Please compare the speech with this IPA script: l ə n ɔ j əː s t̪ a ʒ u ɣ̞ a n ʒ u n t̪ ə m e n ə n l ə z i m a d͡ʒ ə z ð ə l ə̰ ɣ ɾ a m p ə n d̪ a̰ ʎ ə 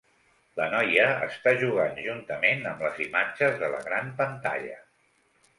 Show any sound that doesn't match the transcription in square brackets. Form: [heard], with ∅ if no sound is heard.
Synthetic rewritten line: l ə n ɔ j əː s t̪ a ʒ u ɣ̞ a n ʒ u n t̪ ə m e n ə [m] l ə z i m a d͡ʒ ə z ð ə l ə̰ ɣ ɾ a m p ə n [t̪] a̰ ʎ ə